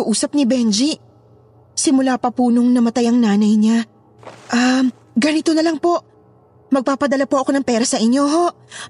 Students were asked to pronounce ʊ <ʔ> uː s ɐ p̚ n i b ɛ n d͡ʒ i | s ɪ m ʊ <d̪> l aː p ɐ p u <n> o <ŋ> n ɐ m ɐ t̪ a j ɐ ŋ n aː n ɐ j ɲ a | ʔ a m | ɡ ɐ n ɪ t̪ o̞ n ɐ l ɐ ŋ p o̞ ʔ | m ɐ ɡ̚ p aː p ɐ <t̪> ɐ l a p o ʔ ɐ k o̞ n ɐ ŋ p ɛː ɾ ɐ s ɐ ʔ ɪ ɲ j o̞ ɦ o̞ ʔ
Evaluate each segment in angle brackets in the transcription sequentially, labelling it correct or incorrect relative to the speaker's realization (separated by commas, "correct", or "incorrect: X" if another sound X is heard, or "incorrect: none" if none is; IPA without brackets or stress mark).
correct, incorrect: none, correct, correct, incorrect: d̪